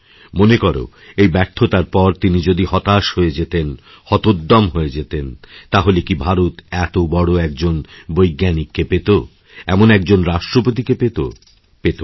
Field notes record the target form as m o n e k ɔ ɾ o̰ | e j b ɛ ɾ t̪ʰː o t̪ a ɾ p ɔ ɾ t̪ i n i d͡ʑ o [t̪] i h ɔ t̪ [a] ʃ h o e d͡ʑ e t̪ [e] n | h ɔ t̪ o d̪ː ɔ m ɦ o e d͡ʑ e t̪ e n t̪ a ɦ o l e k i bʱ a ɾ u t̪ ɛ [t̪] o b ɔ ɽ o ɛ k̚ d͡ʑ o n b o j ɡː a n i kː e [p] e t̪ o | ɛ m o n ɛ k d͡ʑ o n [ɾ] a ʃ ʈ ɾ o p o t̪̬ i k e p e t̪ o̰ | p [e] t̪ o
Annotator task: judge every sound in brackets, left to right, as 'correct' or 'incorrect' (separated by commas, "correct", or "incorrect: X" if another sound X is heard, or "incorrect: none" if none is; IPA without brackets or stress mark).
incorrect: d̪, correct, correct, correct, correct, correct, correct